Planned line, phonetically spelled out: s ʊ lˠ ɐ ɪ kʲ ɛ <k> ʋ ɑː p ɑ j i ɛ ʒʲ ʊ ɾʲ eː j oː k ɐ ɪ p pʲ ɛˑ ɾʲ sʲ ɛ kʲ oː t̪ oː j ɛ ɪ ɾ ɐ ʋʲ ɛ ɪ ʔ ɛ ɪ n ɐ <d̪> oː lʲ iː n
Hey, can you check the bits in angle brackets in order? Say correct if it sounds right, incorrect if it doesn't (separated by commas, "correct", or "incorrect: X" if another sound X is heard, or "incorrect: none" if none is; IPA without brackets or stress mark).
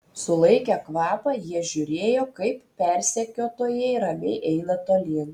correct, incorrect: t̪